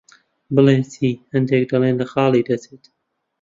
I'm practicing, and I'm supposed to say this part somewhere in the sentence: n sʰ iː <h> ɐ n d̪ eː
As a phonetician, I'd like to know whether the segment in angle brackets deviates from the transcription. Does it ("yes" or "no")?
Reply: no